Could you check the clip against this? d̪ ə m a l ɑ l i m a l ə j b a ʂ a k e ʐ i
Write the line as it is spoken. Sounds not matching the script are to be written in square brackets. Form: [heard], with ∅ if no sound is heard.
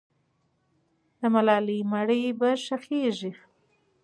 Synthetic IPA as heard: d̪ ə m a l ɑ l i m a [ɽ] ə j b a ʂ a [x] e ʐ i